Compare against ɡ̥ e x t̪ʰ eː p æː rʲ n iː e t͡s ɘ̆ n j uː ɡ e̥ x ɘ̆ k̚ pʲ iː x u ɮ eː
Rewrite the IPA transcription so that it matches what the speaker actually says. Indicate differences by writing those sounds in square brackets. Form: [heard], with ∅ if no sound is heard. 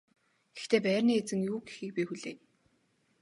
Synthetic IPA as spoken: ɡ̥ e x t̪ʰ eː p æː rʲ n iː e t͡s ɘ̆ [ŋ] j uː ɡ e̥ x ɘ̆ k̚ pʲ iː x u ɮ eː